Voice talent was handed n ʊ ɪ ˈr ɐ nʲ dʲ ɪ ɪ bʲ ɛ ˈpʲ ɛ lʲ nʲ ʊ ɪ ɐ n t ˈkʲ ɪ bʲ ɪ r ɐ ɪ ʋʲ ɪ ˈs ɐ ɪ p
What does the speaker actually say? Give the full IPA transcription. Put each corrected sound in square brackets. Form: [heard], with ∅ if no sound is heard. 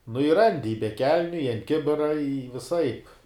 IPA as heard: n ʊ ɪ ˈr ɐ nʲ dʲ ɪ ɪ bʲ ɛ [ˈkʲ] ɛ lʲ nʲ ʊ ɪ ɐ n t ˈkʲ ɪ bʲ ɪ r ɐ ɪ ʋʲ ɪ ˈs ɐ ɪ p